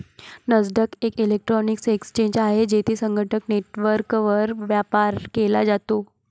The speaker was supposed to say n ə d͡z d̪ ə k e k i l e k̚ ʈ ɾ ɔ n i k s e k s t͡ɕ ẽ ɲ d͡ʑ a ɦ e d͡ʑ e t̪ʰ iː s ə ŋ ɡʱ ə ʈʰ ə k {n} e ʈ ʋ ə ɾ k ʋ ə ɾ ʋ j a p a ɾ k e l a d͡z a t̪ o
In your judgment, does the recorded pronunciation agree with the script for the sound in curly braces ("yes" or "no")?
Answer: yes